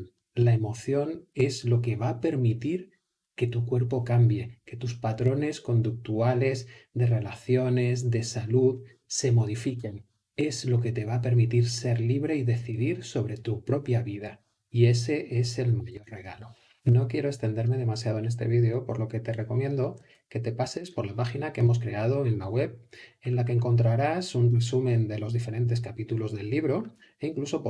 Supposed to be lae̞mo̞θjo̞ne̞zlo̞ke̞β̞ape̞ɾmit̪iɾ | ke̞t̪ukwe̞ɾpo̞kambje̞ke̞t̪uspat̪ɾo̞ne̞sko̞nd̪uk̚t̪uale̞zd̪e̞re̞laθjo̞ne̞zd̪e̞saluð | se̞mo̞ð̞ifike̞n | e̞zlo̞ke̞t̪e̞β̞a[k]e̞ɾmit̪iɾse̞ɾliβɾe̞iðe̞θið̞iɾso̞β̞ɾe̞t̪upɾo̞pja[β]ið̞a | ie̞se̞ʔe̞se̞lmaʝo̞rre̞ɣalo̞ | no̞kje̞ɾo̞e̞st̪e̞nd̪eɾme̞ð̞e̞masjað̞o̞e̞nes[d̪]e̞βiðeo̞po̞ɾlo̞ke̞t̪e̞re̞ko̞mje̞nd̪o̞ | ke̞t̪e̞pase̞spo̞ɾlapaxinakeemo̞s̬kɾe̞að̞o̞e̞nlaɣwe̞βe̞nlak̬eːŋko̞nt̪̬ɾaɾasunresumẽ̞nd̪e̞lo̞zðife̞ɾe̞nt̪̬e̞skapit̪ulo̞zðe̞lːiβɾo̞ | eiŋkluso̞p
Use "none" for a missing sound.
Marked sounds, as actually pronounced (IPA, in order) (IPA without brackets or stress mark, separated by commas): p, β, t̪